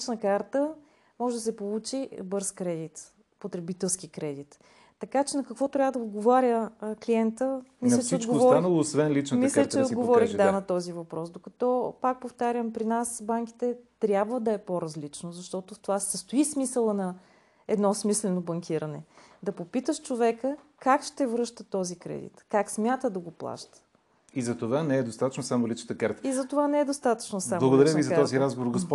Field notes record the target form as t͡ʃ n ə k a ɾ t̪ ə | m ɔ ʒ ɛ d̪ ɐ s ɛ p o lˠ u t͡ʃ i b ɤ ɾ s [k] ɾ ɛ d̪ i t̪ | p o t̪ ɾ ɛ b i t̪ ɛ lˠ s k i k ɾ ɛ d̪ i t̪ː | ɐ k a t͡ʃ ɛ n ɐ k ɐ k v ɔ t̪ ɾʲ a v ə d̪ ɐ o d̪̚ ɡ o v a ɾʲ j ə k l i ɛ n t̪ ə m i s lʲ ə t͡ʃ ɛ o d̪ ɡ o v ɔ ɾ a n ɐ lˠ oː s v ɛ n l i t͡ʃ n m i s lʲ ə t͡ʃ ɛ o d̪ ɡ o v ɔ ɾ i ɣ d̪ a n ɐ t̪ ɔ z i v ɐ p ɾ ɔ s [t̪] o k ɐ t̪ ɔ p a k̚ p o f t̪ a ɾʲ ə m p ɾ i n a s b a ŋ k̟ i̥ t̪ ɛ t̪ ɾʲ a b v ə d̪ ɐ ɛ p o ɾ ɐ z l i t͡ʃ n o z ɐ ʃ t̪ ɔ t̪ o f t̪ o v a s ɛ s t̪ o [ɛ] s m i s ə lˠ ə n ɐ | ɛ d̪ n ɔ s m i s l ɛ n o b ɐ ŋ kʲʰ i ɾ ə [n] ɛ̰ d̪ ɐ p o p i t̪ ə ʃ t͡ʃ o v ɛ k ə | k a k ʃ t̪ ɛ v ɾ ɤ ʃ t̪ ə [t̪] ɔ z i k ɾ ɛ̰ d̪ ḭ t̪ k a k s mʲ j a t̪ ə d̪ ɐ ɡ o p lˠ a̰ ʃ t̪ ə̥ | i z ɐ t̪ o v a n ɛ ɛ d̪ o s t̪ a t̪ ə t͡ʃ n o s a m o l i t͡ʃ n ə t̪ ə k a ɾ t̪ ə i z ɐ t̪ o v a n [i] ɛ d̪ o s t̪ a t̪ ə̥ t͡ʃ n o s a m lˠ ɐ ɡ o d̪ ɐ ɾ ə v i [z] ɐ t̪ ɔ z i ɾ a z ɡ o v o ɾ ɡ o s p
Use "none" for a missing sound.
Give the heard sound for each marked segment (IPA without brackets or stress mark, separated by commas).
k, d̪, i, n, t̪, ɛ, z